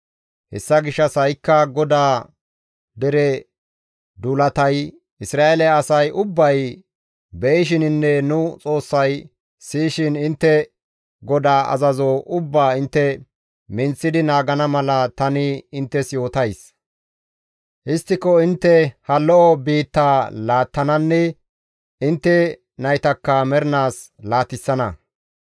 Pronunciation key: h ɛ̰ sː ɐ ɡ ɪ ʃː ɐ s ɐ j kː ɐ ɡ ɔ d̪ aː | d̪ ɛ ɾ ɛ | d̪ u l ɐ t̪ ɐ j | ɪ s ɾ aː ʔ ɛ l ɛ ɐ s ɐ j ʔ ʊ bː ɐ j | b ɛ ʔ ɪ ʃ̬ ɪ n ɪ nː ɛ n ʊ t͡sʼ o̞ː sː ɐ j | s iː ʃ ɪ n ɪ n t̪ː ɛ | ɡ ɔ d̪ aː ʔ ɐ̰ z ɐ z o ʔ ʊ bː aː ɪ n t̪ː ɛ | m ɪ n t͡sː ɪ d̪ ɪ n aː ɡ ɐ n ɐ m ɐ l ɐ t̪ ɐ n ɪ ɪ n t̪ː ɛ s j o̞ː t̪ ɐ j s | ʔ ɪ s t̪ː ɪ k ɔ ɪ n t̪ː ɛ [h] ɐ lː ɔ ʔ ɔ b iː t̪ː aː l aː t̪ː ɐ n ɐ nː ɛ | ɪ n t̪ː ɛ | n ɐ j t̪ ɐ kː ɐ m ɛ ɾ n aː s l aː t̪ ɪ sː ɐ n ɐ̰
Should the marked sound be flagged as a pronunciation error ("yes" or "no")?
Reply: no